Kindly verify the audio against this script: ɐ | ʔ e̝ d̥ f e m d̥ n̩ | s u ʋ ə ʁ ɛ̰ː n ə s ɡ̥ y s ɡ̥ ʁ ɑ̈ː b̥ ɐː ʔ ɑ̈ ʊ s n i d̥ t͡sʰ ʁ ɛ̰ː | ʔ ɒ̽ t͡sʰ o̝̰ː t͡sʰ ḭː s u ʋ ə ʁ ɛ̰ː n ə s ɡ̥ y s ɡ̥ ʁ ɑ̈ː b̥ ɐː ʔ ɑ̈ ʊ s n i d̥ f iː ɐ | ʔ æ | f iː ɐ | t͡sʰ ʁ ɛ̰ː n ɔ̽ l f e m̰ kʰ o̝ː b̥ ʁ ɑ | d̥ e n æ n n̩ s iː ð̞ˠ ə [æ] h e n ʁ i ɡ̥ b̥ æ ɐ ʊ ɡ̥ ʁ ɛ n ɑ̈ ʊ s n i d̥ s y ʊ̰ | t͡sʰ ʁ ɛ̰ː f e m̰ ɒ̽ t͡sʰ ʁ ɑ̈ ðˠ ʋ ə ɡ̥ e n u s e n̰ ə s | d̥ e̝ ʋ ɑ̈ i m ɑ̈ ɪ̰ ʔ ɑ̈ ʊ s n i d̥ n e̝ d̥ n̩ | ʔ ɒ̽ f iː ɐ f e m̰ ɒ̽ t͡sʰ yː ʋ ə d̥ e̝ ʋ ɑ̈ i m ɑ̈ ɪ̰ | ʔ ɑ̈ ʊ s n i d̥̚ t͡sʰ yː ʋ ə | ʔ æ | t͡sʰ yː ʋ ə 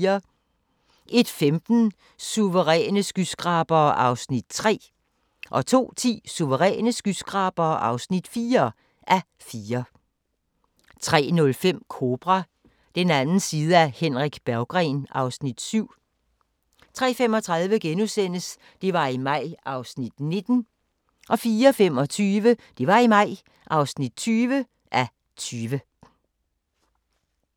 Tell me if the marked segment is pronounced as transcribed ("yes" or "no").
yes